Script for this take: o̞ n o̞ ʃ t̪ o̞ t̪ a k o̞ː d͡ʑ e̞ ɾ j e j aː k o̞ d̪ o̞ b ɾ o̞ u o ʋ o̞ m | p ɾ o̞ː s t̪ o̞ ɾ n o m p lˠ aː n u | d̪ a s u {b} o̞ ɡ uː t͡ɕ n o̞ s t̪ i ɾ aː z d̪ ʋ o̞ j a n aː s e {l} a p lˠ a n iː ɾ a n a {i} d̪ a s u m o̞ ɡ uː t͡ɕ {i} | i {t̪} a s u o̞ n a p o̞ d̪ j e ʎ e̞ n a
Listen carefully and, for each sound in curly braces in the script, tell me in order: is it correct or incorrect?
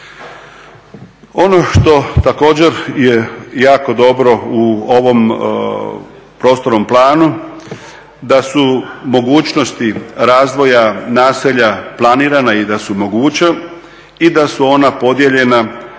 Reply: incorrect: m, incorrect: ʎ, correct, incorrect: a, incorrect: d̪

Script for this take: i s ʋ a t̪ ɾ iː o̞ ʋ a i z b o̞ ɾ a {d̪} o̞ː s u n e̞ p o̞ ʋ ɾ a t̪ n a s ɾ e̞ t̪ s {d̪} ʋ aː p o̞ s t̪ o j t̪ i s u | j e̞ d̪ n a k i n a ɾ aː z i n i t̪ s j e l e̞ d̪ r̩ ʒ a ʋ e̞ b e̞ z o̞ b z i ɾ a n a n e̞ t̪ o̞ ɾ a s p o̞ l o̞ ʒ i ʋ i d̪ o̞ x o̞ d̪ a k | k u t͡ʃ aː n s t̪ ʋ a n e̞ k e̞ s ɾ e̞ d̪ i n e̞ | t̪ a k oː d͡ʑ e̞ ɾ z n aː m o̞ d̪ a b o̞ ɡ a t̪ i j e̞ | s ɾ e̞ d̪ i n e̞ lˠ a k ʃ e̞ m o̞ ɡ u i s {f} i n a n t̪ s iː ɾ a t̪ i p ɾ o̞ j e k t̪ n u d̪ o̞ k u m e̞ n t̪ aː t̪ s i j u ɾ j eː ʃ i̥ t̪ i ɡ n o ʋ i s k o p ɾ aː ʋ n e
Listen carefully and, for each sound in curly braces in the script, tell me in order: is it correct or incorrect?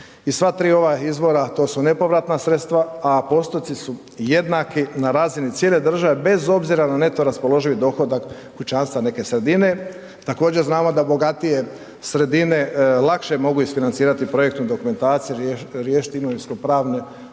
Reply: incorrect: t̪, incorrect: t̪, correct

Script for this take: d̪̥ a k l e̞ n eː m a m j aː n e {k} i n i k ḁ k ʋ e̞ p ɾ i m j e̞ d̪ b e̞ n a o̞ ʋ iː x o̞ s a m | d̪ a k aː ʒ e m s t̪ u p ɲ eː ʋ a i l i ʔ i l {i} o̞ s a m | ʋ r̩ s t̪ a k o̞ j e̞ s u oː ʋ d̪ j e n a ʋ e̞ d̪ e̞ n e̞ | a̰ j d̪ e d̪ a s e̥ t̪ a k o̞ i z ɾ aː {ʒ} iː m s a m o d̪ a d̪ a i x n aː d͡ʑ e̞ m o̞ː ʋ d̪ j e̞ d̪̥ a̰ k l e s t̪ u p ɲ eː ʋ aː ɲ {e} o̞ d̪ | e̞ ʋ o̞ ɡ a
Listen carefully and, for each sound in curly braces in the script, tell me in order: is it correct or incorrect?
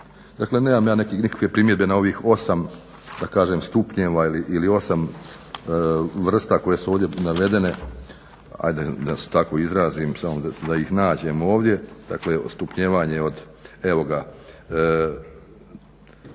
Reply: correct, correct, incorrect: z, correct

